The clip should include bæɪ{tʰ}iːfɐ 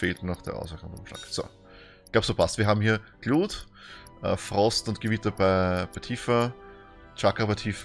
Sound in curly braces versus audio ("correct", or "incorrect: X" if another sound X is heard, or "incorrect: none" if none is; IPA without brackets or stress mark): correct